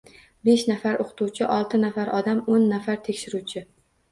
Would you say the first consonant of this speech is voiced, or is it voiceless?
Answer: voiced